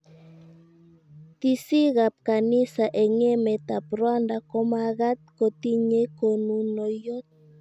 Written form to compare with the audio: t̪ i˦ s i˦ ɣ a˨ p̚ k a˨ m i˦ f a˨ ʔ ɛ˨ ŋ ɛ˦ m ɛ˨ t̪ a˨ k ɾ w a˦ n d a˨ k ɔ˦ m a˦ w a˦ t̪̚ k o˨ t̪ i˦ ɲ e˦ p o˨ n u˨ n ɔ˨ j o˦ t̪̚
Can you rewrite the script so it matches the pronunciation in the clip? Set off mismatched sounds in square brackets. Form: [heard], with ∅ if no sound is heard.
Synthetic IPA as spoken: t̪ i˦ s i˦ ɣ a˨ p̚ k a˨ [n] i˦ [s] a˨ ʔ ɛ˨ ŋ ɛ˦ m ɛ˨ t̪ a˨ [p] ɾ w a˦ n d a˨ k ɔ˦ m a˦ [ɣ] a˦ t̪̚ k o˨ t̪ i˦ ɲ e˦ [k] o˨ n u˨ n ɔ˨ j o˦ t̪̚